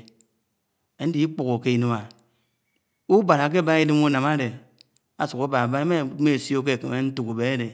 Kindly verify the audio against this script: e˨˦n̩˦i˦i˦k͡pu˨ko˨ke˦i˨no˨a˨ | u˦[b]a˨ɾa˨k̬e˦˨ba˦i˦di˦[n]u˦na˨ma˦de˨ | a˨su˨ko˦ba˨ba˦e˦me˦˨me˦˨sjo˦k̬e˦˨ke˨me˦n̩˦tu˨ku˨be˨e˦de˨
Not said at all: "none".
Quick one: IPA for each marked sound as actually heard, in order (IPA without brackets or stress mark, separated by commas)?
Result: b, m